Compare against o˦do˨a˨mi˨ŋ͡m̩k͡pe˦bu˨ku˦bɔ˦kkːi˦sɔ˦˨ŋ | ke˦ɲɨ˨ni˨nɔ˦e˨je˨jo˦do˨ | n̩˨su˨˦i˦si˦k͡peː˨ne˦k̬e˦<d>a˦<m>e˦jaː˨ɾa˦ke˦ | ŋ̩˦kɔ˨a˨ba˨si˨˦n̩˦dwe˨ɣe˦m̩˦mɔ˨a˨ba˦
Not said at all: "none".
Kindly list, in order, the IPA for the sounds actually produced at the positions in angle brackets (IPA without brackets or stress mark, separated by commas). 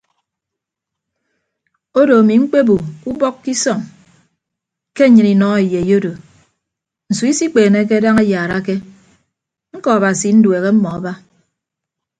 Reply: d, ŋ